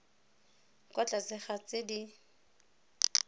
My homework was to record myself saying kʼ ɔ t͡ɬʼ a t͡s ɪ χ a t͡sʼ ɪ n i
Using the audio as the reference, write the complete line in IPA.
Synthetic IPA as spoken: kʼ ɔ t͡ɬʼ a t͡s ɪ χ a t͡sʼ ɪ d i